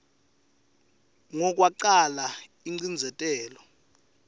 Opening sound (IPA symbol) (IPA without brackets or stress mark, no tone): ŋ